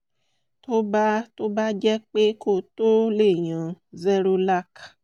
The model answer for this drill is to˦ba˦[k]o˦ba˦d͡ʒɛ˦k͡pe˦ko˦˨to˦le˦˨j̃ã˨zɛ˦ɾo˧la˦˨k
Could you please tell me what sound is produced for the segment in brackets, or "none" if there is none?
t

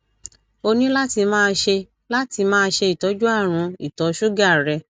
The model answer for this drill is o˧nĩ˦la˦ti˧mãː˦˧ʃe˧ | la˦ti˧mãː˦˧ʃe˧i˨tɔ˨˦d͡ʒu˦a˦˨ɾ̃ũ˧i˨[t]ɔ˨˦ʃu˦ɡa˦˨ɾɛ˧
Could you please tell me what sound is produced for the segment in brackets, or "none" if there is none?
t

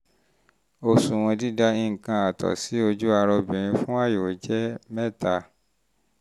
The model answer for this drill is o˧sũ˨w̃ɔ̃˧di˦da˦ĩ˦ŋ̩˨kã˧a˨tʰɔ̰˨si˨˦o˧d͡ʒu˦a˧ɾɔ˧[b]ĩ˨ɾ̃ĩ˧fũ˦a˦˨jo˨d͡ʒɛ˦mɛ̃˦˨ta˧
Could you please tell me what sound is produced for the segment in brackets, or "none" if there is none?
b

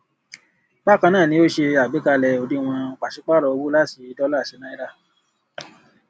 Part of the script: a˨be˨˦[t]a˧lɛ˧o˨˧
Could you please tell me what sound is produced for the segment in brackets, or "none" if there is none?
k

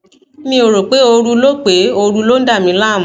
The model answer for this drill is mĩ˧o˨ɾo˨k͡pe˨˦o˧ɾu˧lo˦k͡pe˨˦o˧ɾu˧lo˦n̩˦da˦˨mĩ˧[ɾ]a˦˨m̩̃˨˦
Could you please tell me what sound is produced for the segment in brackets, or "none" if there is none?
l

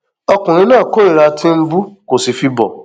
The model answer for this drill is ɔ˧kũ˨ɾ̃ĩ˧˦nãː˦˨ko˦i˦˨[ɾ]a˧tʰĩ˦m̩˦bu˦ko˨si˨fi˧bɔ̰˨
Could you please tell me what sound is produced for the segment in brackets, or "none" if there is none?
ɾ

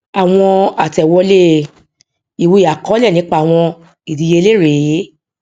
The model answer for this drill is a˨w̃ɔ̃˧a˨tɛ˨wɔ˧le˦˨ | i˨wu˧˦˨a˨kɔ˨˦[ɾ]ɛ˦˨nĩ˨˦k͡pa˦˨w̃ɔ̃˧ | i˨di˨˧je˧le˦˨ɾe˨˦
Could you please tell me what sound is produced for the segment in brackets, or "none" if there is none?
l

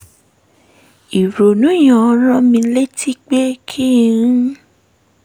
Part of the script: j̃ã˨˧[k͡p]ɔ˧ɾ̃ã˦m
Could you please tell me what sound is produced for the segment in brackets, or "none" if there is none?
none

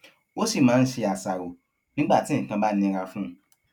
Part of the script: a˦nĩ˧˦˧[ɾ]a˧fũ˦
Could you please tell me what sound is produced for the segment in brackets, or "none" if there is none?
ɾ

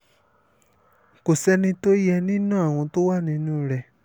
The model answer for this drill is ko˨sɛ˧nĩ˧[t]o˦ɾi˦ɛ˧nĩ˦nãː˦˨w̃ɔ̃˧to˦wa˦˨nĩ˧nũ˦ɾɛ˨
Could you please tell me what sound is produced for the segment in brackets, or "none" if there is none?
t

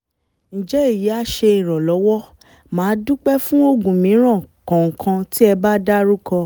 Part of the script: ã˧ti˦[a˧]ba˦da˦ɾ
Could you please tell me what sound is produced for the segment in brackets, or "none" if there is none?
ɛ˧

